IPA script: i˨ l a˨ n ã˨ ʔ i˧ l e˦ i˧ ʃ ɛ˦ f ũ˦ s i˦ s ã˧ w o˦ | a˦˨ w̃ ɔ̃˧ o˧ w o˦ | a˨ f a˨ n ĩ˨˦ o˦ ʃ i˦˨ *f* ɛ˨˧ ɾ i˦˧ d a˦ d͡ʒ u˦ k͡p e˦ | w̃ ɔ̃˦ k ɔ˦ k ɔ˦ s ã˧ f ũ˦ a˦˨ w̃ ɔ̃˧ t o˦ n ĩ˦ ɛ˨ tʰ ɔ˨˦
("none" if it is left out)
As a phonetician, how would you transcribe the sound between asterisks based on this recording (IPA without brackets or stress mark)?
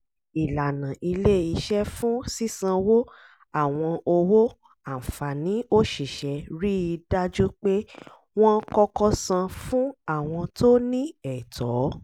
ʃ